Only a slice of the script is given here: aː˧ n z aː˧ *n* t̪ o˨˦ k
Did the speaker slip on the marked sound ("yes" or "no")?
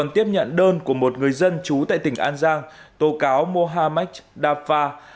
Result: yes